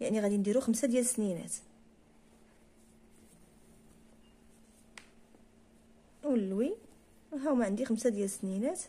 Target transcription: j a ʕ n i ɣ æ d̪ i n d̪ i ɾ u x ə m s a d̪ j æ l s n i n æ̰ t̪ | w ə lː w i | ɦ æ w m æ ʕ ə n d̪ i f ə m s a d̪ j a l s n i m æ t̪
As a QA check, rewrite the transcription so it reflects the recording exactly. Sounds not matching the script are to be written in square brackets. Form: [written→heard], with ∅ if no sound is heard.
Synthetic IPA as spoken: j a ʕ n i ɣ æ d̪ i n d̪ i ɾ u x ə m s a d̪ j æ l s n i n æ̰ t̪ | w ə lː w i | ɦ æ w m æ ʕ ə n d̪ i [f→x] ə m s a d̪ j [a→æ] l s n i [m→n] æ t̪